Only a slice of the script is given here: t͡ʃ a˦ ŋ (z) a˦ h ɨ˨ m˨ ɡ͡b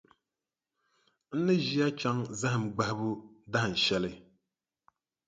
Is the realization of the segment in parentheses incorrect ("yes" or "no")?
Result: no